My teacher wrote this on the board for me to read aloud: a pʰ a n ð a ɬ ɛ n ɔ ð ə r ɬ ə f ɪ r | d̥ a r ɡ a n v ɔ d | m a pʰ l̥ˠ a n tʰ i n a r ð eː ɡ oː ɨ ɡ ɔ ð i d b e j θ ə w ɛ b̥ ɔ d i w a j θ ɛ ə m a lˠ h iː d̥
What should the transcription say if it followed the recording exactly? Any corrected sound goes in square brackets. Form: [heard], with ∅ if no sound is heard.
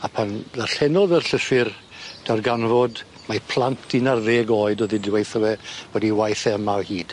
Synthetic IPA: a pʰ a n ð a ɬ ɛ n ɔ ð ə r ɬ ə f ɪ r | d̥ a r ɡ a n v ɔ d | m a pʰ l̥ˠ a n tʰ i n a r ð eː ɡ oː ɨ [d] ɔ ð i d [w] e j θ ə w ɛ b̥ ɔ d i w a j θ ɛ ə m a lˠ h iː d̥